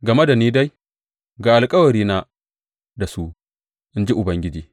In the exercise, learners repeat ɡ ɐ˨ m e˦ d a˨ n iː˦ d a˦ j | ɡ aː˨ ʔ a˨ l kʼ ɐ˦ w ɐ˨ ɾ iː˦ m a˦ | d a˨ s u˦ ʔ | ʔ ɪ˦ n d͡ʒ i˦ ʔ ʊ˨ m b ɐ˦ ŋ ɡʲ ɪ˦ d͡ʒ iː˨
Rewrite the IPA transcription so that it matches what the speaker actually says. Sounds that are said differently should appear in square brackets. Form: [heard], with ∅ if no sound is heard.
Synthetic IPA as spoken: ɡ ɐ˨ m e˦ d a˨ n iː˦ d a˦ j | ɡ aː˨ ʔ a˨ l kʼ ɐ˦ w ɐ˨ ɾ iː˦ [n] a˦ | d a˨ s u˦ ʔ | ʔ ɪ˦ n d͡ʒ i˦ ʔ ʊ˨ [∅] b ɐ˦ ŋ ɡʲ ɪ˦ d͡ʒ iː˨